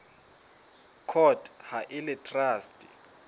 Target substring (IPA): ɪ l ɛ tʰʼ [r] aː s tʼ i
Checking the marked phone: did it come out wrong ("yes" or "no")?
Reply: no